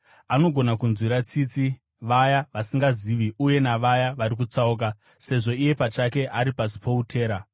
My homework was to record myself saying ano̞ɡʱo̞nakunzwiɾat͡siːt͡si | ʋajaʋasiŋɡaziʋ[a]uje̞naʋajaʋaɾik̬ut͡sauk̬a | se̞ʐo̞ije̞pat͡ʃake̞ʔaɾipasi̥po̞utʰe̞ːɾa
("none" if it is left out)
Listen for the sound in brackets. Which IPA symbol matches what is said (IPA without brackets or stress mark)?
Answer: i